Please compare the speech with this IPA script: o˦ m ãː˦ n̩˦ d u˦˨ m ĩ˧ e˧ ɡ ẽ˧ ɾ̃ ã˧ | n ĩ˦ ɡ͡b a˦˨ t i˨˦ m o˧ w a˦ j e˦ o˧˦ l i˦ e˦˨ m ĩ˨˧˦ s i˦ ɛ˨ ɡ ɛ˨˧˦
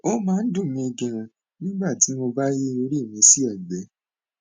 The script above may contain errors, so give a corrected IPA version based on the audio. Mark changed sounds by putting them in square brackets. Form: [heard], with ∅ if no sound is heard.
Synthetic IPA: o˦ m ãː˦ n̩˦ d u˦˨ m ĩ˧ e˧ ɡ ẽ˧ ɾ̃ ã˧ | n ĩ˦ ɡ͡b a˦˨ t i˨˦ m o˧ [b] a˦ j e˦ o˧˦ [ɾ] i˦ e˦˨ m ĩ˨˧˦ s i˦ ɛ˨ [ɡ͡b] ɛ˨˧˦